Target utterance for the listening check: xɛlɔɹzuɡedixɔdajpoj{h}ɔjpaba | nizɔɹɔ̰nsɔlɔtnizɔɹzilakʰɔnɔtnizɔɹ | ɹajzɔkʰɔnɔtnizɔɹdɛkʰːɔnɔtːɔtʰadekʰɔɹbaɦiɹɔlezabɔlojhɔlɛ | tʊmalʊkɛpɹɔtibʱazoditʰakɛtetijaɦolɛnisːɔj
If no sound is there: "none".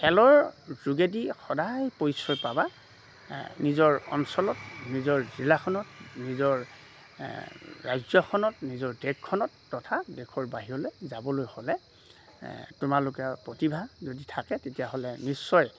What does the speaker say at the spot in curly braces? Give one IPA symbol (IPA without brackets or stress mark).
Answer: s